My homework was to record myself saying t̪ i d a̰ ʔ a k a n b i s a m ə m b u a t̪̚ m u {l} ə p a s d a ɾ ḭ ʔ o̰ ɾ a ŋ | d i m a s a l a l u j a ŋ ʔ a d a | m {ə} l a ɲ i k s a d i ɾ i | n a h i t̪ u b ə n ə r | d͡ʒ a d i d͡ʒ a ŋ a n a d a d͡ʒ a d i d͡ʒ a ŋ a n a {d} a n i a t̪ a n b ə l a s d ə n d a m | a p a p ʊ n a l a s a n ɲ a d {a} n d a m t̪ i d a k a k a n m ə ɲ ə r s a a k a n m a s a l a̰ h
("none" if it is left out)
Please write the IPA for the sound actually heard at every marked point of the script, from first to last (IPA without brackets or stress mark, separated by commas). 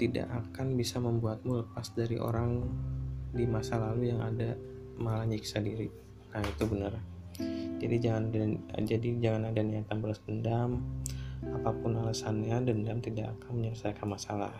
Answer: l, a, d, ə